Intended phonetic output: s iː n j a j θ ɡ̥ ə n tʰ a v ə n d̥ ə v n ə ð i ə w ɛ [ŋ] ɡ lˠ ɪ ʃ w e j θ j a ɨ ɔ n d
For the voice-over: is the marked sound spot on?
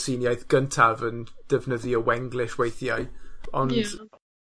yes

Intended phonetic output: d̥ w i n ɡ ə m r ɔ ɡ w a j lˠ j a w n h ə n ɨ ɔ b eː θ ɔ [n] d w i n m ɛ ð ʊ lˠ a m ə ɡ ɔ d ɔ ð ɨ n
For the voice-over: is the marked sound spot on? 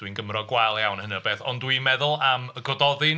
yes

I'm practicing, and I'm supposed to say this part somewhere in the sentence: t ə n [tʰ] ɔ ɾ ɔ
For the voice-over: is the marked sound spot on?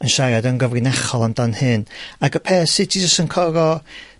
no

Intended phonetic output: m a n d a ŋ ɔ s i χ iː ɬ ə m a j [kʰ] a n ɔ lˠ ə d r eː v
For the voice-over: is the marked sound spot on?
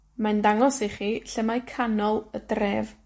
yes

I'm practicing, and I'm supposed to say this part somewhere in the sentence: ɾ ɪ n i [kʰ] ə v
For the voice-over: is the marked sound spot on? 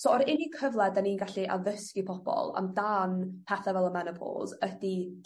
yes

